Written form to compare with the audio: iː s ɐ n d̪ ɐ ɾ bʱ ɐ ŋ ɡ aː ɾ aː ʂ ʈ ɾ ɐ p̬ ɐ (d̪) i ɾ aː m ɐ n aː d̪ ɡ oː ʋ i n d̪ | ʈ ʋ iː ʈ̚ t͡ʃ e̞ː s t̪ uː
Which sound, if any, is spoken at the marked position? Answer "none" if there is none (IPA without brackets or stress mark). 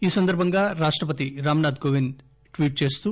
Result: t̪